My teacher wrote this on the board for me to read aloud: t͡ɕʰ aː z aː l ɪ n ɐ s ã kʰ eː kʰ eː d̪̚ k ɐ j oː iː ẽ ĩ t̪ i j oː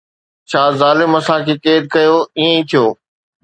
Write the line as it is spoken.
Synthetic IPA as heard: t͡ɕʰ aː z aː l ɪ m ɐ s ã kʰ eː k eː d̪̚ k ɐ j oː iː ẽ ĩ t̪ʰ i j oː